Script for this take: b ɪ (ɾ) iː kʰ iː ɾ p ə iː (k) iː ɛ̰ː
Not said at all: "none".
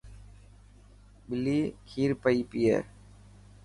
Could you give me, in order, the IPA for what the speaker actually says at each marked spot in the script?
l, p

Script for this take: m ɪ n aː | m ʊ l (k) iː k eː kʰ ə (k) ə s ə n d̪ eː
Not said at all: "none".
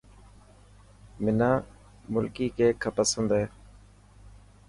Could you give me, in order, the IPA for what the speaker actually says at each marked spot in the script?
k, p

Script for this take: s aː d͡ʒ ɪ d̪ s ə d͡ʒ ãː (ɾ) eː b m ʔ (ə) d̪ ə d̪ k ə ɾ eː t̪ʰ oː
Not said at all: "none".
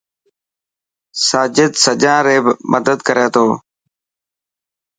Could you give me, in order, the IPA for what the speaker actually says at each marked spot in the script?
ɾ, ə

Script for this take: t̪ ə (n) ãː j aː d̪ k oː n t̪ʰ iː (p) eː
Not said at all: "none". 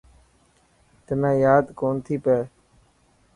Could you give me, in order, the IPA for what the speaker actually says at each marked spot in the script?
n, p

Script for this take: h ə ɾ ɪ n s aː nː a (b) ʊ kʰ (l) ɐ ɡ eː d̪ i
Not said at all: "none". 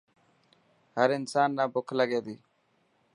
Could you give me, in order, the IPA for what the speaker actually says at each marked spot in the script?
b, l

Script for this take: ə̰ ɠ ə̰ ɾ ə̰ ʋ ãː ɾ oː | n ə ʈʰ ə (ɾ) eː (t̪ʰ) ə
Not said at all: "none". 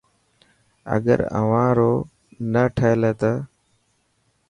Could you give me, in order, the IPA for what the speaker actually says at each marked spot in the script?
l, t̪

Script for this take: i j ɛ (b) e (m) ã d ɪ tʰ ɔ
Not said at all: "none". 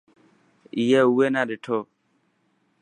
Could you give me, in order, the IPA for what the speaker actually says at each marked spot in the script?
w, n

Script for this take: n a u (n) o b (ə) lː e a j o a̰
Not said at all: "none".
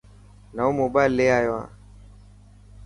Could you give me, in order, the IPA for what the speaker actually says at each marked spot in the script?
m, a

